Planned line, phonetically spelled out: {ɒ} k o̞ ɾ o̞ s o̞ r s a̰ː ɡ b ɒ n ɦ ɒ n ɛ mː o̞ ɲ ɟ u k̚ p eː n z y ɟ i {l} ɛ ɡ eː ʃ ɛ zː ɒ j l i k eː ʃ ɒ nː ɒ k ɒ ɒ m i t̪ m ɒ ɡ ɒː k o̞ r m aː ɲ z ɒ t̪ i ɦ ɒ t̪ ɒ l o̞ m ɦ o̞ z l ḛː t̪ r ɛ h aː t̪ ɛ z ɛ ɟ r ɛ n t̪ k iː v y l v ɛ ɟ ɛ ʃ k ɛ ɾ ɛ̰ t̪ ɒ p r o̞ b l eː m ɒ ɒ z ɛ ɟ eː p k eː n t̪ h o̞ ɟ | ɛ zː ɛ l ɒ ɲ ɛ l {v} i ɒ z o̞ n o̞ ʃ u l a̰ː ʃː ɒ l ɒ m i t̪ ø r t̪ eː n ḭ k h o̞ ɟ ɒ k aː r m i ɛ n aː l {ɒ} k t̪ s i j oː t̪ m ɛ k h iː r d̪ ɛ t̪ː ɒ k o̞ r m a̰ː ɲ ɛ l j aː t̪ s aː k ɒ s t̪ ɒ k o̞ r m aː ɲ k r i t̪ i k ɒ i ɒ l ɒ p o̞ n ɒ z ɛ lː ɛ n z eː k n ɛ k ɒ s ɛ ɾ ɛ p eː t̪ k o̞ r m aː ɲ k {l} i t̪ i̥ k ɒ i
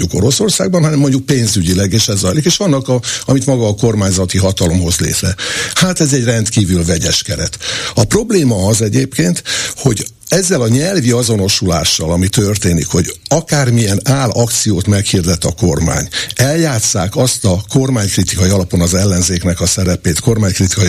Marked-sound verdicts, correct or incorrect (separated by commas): incorrect, correct, correct, correct, incorrect